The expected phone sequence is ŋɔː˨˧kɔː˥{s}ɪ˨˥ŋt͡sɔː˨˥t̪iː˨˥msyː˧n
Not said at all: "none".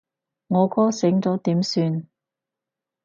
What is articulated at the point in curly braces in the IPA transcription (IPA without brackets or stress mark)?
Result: s